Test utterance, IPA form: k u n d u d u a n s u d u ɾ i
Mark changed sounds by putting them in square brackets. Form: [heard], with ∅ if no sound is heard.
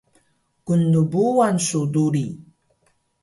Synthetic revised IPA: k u n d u [b] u a n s u d u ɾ i